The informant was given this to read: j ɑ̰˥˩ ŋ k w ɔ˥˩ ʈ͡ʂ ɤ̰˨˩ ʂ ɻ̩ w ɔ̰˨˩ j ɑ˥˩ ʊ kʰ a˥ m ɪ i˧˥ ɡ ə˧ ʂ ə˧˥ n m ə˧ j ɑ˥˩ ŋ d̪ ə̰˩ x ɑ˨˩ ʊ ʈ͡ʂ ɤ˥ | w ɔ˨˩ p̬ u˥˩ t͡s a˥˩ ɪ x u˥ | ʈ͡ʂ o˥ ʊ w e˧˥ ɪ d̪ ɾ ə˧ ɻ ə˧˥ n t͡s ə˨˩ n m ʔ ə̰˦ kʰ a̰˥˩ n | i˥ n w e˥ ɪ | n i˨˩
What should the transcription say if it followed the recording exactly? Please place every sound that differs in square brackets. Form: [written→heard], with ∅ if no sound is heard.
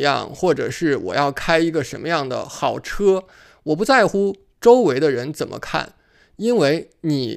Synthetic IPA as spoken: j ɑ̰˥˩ ŋ [k→x] w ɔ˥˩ ʈ͡ʂ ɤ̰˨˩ ʂ ɻ̩ w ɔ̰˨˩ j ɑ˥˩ ʊ kʰ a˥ [m→∅] ɪ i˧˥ ɡ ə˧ ʂ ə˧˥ n m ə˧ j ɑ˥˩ ŋ d̪ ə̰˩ x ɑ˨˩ ʊ [ʈ͡ʂ→ʈ͡ʂʰ] ɤ˥ | w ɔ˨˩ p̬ [u˥˩→u˧˥] t͡s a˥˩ ɪ x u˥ | ʈ͡ʂ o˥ ʊ w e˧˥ ɪ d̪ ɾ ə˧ ɻ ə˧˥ n t͡s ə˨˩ n m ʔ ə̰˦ kʰ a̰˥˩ n | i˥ n w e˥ ɪ | n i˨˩